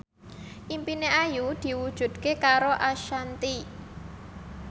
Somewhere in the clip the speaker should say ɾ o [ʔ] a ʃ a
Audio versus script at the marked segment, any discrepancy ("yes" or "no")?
no